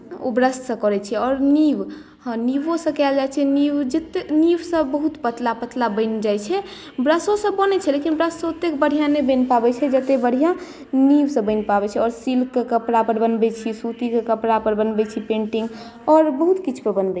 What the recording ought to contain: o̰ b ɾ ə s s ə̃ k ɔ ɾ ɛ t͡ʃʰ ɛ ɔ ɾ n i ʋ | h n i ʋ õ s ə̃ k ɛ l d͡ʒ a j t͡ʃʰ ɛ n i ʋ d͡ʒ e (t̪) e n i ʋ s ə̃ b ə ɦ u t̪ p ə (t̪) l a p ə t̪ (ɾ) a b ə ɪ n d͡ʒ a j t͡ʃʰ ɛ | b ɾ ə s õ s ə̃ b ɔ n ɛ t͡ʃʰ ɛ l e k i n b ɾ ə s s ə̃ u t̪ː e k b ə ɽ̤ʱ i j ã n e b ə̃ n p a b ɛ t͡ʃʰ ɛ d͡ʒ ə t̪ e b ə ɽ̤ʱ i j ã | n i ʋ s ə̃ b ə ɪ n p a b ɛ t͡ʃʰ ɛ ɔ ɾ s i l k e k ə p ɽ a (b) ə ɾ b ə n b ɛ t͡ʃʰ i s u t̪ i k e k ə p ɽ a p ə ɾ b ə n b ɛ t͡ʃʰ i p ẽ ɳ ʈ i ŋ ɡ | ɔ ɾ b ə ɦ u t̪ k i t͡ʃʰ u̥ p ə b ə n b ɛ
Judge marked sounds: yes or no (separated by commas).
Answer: yes, yes, no, no